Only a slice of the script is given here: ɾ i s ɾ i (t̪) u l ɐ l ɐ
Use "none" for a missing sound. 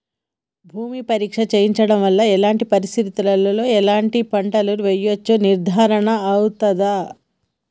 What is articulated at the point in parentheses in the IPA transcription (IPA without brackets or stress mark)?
t̪